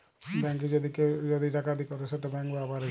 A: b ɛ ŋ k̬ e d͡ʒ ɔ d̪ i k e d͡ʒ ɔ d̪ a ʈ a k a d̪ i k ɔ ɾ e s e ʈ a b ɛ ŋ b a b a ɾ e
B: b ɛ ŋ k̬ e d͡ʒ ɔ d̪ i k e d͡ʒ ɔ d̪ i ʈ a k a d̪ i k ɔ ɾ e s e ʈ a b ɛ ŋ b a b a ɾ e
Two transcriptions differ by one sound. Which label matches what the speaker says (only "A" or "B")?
B